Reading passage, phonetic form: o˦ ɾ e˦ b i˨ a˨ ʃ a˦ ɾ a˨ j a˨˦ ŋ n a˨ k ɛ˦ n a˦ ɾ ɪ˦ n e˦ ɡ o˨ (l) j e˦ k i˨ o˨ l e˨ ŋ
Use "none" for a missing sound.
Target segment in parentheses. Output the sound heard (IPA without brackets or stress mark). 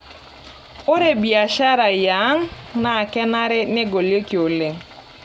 l